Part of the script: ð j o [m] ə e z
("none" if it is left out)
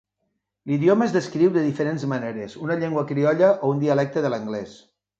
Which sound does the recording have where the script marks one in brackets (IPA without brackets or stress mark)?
m